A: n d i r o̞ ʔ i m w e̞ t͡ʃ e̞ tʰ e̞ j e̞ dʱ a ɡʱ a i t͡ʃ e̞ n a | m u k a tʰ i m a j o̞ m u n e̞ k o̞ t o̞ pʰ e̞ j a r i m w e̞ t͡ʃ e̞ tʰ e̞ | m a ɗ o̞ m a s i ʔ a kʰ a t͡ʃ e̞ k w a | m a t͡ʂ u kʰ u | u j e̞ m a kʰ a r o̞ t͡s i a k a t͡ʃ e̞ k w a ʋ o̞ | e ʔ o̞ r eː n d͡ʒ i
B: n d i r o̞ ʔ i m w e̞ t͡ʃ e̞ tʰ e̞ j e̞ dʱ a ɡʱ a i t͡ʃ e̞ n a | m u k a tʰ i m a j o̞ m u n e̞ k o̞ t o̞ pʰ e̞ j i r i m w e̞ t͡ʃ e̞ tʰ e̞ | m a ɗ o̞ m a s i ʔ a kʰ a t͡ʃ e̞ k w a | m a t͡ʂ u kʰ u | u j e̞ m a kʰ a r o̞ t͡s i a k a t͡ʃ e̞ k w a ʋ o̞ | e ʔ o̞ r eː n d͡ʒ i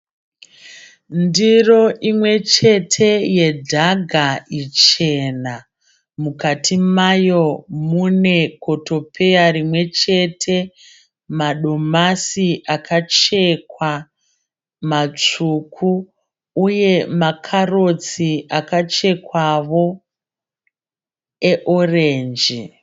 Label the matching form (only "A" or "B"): A